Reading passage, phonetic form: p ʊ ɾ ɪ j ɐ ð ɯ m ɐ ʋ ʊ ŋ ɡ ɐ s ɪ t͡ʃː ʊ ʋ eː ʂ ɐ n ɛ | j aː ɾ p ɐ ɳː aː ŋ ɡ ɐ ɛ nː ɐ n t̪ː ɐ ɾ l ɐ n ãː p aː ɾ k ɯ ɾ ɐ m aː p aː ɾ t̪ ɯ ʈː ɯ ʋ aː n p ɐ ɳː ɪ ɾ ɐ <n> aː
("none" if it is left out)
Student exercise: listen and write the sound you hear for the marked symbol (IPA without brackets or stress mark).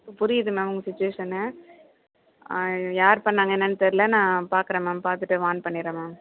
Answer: m